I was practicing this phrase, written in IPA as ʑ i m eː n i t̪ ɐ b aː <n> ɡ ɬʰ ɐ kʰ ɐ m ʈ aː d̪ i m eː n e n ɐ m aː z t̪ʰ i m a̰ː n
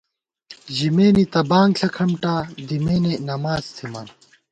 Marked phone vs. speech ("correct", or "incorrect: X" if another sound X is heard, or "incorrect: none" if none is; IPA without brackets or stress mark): incorrect: ŋ